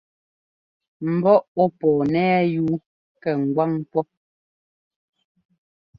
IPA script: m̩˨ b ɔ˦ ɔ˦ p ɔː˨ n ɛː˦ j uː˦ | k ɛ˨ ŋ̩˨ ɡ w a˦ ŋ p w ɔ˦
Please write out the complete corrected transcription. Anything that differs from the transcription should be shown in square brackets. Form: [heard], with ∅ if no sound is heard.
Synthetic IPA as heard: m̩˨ b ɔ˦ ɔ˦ p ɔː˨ n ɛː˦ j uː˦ | k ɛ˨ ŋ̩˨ ɡ w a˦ ŋ p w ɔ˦